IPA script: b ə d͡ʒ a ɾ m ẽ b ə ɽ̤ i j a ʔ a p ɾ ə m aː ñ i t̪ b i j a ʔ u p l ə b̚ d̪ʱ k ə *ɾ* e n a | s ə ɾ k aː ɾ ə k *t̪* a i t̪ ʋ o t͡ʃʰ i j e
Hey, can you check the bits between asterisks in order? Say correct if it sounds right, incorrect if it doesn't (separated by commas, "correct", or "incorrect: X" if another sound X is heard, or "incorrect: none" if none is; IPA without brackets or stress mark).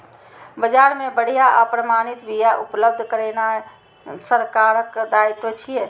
correct, incorrect: d̪